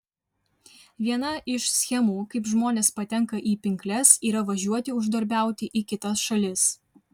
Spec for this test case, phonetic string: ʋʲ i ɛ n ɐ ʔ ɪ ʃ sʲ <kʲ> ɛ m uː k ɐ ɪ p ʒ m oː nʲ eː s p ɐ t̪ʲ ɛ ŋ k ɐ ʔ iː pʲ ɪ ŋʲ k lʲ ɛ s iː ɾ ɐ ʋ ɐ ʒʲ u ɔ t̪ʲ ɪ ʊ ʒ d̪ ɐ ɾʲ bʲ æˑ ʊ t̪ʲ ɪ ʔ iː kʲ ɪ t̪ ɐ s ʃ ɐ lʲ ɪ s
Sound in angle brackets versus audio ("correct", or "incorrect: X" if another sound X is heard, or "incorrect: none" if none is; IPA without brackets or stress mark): incorrect: xʲ